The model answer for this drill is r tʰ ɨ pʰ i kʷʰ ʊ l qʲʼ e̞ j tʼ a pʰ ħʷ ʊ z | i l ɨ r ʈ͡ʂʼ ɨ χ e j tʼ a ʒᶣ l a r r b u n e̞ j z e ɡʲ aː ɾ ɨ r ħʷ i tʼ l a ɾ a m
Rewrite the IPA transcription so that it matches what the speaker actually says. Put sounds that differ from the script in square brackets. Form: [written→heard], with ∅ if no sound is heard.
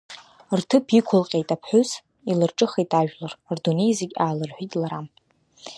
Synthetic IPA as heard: r tʰ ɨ pʰ i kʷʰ ʊ l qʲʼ e̞ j tʼ a pʰ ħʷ ʊ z | i l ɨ r ʈ͡ʂʼ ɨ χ e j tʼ a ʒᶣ l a r r [b→d] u n e̞ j z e ɡʲ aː [ɾ→l] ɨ r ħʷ i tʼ l a ɾ a m